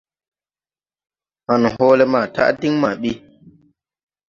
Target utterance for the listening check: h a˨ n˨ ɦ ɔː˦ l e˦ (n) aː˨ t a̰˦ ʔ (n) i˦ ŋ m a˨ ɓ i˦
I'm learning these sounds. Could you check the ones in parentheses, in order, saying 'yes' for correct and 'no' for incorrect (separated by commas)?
no, no